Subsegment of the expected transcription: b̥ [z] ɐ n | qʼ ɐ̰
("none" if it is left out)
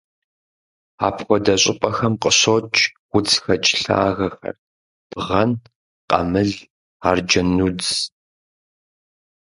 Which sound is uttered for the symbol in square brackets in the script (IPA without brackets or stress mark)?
ʁ